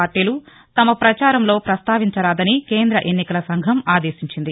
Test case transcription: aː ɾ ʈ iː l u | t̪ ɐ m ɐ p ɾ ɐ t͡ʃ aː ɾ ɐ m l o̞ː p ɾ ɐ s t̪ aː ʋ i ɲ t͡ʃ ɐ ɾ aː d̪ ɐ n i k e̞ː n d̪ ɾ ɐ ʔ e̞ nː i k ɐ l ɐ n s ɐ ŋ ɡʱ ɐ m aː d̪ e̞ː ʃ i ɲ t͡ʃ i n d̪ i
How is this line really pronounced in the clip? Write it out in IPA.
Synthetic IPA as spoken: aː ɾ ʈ iː l u | t̪ ɐ m ɐ p ɾ ɐ t͡ʃ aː ɾ ɐ m l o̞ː p ɾ ɐ s t̪ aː ʋ i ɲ t͡ʃ ɐ ɾ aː d̪ ɐ n i k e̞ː n d̪ ɾ ɐ ʔ e̞ nː i k ɐ l ɐ s ɐ ŋ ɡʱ ɐ m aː d̪ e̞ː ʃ i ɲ t͡ʃ i n d̪ i